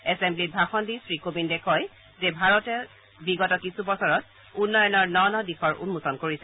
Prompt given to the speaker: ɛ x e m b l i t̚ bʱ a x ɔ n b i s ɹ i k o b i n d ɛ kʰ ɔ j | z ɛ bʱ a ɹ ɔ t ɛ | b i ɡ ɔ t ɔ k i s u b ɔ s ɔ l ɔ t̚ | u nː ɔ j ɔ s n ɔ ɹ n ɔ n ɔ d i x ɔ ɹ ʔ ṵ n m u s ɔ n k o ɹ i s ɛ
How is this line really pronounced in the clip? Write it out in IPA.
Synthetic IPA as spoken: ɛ s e m b l i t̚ bʱ a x ɔ n d i s ɹ i k o b i n d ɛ kʰ ɔ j | z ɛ bʱ a ɹ ɔ t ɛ | b i ɡ ɔ t ɔ k i s u b ɔ s ɔ ɹ ɔ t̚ | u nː ɔ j ɔ n ɔ ɹ n ɔ n ɔ d i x ɔ ɹ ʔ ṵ n m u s ɔ n k o ɹ i s ɛ